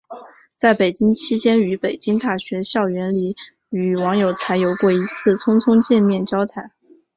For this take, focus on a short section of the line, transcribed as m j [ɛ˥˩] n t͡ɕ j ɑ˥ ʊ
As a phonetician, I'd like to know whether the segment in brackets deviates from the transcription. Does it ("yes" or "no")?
no